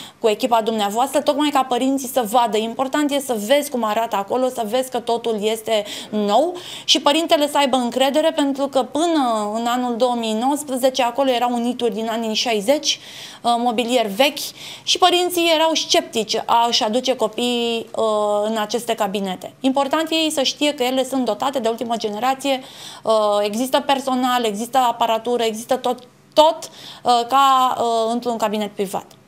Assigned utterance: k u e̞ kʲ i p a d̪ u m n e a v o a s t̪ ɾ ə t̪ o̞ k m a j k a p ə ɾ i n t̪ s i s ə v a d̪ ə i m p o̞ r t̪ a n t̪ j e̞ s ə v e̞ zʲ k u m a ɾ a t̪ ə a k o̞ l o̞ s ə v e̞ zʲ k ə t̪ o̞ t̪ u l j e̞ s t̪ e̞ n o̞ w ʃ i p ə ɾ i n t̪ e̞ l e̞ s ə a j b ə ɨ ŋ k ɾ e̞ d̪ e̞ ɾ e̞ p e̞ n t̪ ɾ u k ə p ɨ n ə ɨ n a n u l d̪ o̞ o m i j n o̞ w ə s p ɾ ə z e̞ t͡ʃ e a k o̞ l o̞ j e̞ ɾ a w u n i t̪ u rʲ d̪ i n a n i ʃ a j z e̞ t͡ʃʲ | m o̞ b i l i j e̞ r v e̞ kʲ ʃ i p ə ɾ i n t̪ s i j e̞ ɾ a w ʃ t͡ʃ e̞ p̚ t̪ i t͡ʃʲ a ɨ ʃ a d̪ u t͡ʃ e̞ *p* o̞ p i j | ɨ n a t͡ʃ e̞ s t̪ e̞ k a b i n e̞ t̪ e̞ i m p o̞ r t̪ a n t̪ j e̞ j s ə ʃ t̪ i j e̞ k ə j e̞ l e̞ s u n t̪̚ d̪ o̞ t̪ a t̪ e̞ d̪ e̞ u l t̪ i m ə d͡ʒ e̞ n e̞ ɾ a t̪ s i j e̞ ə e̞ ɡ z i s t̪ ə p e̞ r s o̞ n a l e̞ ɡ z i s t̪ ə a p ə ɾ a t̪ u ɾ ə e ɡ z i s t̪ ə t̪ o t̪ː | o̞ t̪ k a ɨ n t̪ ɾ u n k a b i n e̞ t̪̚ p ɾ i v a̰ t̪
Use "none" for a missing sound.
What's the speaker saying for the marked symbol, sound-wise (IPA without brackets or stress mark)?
k